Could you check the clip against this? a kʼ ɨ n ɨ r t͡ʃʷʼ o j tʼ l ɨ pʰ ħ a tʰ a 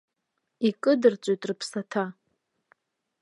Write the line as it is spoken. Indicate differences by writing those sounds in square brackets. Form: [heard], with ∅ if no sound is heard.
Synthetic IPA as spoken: [i] kʼ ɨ [d] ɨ r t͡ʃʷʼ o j tʼ [r] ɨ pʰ [s] a tʰ a